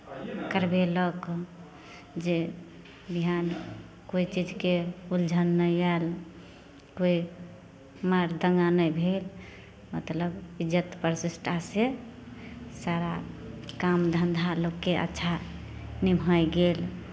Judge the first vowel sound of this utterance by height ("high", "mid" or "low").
mid